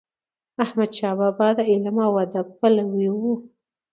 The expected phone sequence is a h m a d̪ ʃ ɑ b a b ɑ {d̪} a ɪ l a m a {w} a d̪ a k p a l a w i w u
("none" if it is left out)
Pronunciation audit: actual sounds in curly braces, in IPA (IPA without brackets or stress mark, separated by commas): d̪, w